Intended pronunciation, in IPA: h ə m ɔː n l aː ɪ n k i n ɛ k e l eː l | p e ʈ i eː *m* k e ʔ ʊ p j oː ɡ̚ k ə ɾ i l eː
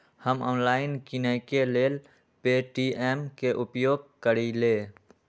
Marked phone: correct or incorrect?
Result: correct